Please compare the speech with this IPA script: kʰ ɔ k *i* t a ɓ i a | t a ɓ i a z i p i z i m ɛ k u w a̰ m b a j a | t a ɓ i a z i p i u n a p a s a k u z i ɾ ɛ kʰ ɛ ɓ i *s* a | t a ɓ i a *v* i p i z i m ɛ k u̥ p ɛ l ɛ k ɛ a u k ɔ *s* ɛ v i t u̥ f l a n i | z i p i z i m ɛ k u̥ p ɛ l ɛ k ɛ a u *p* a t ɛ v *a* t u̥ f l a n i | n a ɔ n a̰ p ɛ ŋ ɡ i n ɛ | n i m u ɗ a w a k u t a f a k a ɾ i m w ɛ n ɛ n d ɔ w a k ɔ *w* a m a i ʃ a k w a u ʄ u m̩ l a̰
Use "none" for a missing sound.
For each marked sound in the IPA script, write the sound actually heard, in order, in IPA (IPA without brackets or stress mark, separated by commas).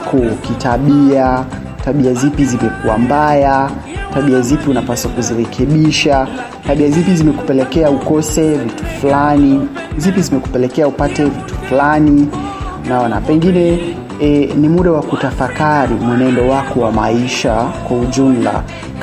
i, ʃ, z, s, p, i, w